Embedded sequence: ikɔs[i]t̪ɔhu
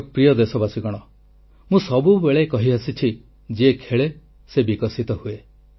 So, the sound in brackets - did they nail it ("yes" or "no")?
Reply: yes